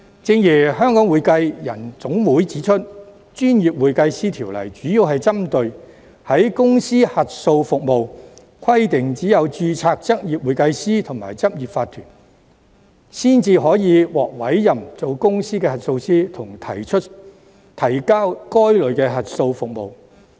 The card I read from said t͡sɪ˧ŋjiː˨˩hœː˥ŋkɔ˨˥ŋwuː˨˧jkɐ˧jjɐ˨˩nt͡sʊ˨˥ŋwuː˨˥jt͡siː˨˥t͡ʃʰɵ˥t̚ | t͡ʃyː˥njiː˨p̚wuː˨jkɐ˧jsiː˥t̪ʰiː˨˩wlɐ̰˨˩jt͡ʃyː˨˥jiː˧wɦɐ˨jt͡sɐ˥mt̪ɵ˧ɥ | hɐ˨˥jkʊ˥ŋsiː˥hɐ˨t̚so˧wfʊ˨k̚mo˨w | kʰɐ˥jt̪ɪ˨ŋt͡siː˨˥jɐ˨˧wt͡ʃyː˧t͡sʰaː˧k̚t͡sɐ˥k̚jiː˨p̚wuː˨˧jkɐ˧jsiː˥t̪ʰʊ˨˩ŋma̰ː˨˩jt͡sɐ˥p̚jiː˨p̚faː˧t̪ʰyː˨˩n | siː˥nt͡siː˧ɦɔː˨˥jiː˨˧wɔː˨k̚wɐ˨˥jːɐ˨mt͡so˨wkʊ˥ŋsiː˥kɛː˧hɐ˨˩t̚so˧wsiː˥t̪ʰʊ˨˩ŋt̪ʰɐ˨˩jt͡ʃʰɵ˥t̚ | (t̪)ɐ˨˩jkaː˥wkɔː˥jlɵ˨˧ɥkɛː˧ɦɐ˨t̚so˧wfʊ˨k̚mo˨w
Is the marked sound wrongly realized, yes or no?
yes